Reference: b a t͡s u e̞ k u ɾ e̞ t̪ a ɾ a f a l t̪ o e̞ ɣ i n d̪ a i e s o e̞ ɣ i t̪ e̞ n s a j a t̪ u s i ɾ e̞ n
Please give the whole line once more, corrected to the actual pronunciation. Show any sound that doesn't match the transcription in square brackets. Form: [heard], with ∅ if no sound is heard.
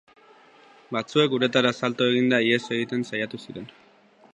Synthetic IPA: b a t͡s u e̞ k u ɾ e̞ t̪ a ɾ a [s] a l t̪ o e̞ ɣ i n d̪ a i e s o e̞ ɣ i t̪ e̞ n s a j a t̪ u s i ɾ e̞ n